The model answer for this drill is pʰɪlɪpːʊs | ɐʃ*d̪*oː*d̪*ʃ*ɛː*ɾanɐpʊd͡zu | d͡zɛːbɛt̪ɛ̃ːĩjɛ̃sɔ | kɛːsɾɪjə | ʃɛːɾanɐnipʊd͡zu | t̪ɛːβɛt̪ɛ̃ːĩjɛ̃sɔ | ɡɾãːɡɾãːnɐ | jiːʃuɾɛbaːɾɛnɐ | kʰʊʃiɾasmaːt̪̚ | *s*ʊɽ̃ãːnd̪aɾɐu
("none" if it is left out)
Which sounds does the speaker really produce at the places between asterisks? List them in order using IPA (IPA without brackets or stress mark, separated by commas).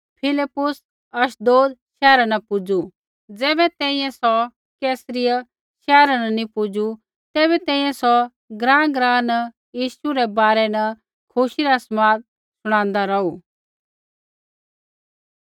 d̪, d̪, ɛː, s